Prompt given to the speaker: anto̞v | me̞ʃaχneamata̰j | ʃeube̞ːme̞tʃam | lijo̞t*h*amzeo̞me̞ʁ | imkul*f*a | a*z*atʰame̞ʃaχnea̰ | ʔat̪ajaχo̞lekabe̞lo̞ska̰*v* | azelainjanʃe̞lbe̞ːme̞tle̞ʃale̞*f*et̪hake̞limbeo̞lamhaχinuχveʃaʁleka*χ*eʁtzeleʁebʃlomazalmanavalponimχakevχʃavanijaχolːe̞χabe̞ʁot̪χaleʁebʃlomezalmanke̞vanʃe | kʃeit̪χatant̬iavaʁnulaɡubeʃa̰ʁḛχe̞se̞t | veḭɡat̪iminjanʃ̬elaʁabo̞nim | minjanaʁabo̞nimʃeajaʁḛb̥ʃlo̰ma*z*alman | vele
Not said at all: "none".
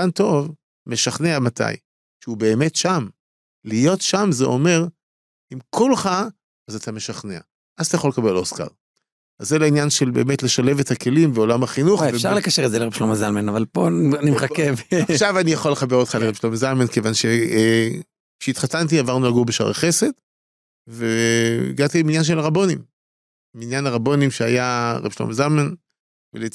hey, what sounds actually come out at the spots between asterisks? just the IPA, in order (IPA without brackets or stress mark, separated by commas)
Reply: ʃ, χ, z, ʁ, v, ʃ, z